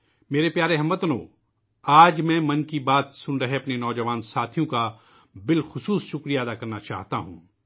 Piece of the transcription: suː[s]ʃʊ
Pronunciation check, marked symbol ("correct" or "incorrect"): correct